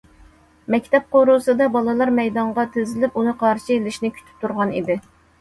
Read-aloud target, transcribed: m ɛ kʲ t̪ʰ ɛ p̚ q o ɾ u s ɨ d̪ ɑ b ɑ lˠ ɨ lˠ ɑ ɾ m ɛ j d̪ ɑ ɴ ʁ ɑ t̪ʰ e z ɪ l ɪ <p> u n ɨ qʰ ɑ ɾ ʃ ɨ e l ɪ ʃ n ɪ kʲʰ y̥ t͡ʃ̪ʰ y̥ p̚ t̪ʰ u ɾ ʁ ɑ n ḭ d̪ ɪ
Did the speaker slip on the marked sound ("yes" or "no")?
no